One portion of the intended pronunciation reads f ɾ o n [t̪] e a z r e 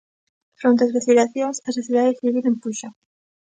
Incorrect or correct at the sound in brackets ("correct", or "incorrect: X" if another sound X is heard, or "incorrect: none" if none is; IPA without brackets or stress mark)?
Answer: correct